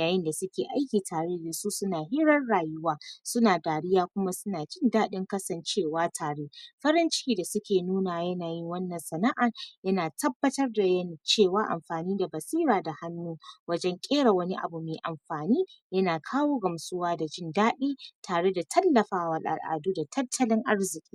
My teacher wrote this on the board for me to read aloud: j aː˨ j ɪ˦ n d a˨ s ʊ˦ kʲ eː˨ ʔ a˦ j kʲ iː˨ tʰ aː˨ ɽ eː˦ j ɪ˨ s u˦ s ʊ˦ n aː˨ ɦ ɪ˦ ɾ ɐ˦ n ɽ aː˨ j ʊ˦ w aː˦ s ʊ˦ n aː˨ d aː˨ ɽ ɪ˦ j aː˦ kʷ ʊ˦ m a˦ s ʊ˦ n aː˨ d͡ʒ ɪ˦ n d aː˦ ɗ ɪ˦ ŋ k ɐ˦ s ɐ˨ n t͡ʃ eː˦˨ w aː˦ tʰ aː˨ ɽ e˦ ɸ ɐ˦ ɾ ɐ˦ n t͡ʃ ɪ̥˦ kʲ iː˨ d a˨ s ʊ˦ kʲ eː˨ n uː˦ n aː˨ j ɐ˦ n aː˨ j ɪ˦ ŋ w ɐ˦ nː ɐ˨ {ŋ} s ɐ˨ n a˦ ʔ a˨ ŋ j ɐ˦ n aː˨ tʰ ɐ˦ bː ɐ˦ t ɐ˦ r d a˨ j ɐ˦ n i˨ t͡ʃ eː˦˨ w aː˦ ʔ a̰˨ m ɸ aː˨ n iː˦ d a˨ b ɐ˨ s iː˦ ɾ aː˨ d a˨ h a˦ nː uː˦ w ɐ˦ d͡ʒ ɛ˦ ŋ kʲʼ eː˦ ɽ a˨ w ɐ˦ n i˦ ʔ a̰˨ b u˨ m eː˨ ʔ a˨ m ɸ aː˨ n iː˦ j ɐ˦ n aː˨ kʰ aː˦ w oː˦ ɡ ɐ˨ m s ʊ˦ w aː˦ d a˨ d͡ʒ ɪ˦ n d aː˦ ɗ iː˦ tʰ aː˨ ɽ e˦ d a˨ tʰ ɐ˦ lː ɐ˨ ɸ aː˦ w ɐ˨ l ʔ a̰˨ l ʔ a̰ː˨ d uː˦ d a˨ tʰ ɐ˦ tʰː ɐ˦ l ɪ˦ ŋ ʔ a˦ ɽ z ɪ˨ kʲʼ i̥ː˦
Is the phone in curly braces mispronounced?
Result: yes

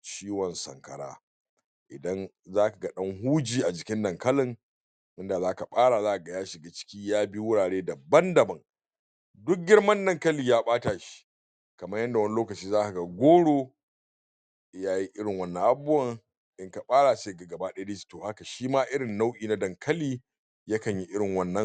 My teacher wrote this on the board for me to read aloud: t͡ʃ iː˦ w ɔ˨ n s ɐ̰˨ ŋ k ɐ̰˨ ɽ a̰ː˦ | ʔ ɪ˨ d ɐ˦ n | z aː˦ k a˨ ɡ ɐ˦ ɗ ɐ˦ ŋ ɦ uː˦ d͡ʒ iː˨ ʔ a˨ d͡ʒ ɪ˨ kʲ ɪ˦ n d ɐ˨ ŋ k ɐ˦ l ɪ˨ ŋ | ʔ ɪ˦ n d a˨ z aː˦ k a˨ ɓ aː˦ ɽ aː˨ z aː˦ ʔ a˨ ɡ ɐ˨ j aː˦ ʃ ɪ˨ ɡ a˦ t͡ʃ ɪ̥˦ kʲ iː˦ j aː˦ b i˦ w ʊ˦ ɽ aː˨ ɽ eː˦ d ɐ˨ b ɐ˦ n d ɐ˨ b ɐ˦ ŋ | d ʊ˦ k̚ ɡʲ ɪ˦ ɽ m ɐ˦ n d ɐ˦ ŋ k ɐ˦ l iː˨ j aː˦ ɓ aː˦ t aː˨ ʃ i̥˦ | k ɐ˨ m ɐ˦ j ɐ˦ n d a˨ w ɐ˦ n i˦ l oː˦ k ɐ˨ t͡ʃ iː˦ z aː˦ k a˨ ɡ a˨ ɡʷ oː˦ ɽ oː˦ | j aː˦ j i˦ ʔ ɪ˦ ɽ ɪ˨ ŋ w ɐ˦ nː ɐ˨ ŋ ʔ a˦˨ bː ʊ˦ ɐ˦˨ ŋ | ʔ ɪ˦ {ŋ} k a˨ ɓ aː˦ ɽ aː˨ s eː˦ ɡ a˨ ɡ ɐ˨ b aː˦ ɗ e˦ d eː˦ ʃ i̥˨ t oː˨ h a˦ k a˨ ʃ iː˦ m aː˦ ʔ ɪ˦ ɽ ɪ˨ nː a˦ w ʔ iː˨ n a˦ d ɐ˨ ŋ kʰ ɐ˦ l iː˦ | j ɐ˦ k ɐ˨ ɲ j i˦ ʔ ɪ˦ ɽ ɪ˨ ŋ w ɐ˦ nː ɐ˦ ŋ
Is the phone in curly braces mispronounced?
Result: no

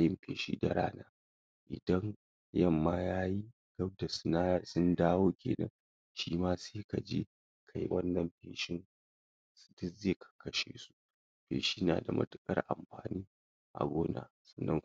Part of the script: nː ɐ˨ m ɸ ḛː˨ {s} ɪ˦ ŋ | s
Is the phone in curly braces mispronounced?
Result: yes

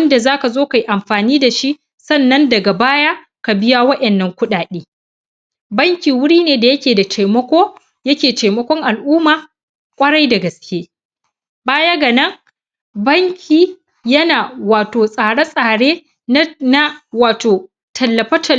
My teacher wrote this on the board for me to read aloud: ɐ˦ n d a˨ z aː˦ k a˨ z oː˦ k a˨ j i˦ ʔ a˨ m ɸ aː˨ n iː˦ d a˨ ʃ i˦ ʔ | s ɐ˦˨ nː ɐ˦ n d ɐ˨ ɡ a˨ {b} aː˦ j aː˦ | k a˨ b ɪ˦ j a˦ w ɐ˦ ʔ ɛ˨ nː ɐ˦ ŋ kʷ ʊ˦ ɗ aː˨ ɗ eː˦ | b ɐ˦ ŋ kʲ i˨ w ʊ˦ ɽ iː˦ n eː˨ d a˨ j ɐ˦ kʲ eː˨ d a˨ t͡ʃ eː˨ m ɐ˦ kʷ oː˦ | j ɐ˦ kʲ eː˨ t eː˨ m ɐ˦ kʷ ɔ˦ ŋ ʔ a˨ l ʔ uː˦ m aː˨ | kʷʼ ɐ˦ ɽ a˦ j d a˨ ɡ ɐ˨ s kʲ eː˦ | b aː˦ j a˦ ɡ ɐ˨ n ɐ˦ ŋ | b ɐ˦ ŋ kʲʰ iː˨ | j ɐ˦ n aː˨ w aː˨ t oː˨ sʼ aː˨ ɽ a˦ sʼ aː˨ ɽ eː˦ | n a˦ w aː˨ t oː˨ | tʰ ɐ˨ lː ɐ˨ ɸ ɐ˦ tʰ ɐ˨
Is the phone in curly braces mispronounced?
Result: no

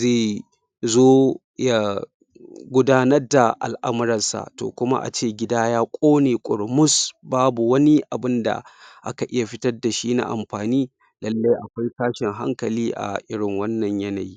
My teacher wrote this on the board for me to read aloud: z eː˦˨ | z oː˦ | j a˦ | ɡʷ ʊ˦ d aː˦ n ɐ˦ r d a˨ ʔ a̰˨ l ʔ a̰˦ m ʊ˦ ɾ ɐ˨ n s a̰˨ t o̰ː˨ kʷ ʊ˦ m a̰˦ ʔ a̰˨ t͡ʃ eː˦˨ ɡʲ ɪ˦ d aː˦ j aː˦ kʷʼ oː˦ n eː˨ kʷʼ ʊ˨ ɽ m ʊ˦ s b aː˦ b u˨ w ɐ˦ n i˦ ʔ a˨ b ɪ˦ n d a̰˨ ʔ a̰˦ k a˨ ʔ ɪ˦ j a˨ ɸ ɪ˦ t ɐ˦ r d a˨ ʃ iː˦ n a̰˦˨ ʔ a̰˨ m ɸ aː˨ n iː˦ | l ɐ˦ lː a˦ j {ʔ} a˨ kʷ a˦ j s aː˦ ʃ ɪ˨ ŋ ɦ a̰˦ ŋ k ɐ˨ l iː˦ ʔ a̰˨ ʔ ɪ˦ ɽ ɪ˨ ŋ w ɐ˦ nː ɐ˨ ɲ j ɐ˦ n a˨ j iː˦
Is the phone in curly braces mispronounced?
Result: no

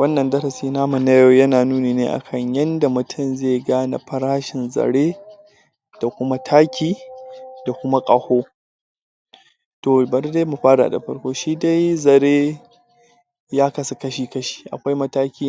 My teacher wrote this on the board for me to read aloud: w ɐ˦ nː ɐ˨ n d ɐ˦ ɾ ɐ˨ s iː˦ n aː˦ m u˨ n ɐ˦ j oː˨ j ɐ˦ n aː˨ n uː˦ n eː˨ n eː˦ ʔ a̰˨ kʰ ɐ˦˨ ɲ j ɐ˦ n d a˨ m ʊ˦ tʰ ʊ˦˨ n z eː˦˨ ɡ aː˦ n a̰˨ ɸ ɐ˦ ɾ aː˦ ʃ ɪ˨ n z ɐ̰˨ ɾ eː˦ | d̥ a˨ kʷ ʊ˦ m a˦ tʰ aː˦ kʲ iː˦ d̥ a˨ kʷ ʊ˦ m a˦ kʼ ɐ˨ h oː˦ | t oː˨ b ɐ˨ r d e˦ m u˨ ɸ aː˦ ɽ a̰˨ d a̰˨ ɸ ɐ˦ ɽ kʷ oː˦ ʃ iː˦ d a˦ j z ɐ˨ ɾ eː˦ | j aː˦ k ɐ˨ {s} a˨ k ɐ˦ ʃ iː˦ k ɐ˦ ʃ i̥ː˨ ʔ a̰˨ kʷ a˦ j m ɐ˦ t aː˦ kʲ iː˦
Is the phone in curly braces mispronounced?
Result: no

